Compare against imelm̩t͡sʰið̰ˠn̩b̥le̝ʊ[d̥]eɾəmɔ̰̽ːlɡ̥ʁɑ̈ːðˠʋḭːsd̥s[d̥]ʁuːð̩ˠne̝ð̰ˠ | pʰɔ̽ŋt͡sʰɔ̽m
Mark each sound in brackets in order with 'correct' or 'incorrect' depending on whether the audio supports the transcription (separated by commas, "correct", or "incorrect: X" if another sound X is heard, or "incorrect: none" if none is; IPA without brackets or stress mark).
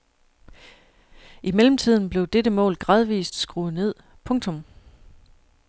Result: correct, incorrect: ɡ̥